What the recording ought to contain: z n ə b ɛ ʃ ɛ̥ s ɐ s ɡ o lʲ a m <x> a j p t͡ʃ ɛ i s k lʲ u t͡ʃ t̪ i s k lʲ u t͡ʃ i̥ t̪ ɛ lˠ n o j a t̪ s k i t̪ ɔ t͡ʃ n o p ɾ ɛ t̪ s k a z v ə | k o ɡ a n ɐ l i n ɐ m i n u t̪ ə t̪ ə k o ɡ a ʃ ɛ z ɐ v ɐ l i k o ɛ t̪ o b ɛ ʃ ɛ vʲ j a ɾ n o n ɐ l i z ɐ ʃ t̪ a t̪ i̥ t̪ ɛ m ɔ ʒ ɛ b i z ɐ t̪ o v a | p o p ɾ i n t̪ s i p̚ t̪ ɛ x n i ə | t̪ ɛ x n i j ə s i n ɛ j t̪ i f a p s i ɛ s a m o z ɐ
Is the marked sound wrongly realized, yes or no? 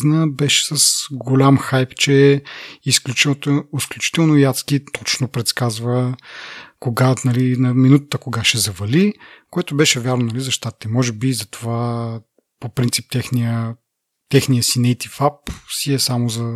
no